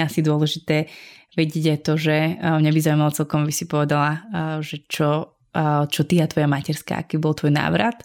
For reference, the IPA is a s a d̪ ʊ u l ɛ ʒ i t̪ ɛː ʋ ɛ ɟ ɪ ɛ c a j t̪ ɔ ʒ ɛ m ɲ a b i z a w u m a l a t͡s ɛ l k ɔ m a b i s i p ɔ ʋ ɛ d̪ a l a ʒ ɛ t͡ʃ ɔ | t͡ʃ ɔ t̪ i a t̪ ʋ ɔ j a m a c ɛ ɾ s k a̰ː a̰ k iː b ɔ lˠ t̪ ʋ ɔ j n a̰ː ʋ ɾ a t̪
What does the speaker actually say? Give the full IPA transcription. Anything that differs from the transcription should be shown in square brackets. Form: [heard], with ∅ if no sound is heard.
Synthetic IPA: a s [i] d̪ ʊ [ɔ] l ɛ ʒ i t̪ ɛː ʋ ɛ ɟ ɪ ɛ [ɟ] a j t̪ ɔ ʒ ɛ m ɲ a b i z a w u m a l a t͡s ɛ l k ɔ m a b i s i p ɔ ʋ ɛ d̪ a l a ʒ ɛ t͡ʃ ɔ | t͡ʃ ɔ t̪ i a t̪ ʋ ɔ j a m a c ɛ ɾ s k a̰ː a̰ k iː b ɔ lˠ t̪ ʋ ɔ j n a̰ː ʋ ɾ a t̪